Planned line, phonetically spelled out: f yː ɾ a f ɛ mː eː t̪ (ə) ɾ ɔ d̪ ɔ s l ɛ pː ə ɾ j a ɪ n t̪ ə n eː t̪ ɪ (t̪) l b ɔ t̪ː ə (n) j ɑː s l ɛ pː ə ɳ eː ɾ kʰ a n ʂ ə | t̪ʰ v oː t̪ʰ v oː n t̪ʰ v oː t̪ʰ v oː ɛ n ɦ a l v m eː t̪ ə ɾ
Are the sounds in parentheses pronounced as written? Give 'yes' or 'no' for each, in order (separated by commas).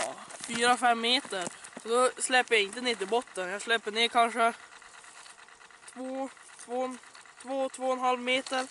yes, no, yes